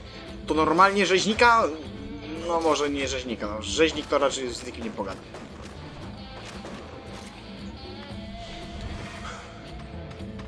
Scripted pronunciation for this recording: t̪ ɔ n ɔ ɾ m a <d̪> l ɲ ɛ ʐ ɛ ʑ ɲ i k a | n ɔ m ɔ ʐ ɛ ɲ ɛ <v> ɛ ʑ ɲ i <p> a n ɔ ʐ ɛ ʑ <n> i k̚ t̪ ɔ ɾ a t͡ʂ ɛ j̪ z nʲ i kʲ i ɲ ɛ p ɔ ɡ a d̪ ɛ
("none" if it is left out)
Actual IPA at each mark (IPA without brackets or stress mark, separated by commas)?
none, ʐ, k, ɲ